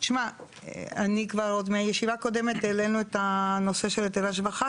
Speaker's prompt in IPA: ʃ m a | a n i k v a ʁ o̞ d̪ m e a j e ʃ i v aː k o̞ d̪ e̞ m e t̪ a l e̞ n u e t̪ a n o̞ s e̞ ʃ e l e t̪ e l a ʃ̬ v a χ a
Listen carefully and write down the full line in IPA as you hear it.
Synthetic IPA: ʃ m a | a n i k v a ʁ o̞ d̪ m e a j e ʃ i v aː k o̞ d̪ e̞ m e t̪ e l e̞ n u e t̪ a n o̞ s e̞ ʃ e l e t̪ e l a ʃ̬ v a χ a